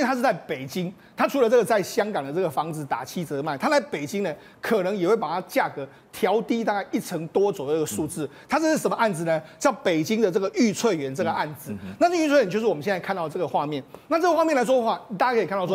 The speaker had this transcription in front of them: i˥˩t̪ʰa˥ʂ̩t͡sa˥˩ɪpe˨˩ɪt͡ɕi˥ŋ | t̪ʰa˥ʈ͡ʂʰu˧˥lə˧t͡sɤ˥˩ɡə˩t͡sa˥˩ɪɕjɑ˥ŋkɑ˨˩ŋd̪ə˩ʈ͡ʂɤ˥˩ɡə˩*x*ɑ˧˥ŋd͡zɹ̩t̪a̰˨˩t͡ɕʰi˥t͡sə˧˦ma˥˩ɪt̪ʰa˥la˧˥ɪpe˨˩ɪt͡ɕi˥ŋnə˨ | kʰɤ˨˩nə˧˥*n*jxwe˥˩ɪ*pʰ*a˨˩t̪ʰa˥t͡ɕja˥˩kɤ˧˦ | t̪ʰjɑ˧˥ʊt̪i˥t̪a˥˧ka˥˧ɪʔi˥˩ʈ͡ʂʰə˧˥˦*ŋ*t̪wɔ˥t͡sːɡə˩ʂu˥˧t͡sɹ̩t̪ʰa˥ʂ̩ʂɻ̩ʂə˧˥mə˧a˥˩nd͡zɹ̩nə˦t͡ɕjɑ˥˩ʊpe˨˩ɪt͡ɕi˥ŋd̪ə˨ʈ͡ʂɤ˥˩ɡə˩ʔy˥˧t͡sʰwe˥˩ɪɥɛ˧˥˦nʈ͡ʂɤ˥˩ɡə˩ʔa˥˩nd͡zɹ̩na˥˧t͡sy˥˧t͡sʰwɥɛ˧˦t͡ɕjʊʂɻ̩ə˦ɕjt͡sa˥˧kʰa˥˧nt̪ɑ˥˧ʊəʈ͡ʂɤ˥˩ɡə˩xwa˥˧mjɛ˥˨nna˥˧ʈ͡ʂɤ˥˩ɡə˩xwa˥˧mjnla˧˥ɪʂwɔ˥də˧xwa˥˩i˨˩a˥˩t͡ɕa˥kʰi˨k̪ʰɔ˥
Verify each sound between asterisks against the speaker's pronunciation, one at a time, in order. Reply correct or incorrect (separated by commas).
incorrect, incorrect, incorrect, correct